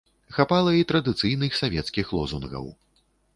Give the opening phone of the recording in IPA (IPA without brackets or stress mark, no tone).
x